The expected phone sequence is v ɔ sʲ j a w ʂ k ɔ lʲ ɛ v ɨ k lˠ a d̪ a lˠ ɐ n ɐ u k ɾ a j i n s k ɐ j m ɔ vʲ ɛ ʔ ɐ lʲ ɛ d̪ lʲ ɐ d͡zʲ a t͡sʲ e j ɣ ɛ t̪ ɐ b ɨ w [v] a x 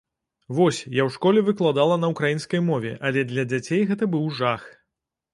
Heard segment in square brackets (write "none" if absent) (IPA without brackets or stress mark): ʐ